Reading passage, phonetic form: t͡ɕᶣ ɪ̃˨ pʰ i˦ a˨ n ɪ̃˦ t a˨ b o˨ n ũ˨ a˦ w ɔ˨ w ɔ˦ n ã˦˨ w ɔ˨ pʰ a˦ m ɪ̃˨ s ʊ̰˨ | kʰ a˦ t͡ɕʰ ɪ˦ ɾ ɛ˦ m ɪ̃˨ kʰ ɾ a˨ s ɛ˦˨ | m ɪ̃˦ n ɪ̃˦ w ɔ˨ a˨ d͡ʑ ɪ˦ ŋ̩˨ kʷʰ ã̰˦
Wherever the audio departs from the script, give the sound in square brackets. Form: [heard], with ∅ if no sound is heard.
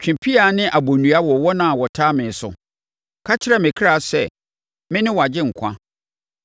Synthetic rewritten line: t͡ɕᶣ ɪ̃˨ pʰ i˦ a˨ n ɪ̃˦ [ʔ] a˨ b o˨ n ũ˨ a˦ w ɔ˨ w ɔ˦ n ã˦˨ w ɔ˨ [tʰ] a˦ m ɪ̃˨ s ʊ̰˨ | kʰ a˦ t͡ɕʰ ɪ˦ ɾ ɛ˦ m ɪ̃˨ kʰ ɾ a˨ s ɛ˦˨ | m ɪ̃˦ n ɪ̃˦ w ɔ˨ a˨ d͡ʑ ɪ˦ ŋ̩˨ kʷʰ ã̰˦